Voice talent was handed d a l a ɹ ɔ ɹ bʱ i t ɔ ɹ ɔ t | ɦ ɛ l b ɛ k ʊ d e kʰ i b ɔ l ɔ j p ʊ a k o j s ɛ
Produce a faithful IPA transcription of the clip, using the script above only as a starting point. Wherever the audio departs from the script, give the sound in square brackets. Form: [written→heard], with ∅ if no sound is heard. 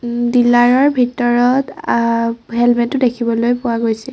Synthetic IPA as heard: d [a→i] l a ɹ ɔ ɹ bʱ i t ɔ ɹ ɔ t | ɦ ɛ l [b→m] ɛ [k→t] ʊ d e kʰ i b ɔ l [ɔ→o] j p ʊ a [k→ɡ] o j s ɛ